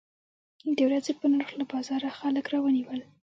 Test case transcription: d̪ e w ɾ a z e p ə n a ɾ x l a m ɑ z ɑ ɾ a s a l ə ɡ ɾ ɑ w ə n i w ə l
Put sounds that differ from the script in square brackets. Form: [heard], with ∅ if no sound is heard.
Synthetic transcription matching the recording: d̪ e w ɾ a z e p ə n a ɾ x l a [b] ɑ z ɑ ɾ a [x] a l ə [k] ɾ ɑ w ə n i w ə l